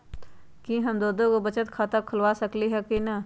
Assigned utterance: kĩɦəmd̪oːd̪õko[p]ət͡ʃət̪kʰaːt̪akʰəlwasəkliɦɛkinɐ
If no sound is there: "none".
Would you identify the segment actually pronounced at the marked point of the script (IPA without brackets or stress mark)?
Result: b